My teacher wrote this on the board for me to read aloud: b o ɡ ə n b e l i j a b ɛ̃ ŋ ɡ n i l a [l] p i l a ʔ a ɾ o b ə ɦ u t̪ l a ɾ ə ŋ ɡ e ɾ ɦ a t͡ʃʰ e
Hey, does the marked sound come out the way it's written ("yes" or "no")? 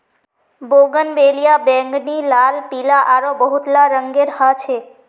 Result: yes